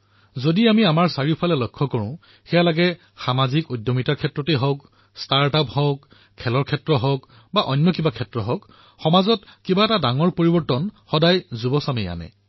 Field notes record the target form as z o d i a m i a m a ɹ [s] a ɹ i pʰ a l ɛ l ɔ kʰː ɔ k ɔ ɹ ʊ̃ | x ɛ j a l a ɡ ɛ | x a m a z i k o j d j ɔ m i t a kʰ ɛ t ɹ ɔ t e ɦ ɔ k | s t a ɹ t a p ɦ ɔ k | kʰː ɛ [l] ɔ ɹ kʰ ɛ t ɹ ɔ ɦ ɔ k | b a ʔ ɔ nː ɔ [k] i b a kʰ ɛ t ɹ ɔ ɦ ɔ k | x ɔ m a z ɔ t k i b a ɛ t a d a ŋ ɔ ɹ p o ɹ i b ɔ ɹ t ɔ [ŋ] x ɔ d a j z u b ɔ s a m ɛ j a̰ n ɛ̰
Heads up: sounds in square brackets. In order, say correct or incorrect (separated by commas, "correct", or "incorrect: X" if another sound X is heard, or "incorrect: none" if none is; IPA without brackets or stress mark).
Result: correct, correct, correct, incorrect: n